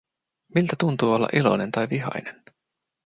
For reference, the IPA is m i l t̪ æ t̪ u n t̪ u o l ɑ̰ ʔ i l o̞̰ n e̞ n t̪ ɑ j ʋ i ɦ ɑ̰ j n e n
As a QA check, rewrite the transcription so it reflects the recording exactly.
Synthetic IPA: m i l t̪ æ t̪ u n t̪ uː o lː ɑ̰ ʔ i l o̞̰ n e̞ n t̪ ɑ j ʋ i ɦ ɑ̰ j n e n